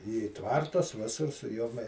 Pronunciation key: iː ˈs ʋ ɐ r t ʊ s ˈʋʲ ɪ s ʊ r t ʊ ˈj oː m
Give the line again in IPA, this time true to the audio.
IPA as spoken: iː ˈt ʋ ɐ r t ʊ s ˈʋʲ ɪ s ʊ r s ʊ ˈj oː m